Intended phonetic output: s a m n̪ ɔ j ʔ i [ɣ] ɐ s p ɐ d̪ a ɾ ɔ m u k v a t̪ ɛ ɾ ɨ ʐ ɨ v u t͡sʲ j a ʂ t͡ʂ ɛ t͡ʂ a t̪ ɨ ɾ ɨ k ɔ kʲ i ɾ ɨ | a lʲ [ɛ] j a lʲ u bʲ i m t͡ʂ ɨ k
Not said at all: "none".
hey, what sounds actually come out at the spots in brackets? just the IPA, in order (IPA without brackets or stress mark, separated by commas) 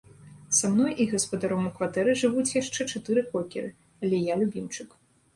ɣ, ɛ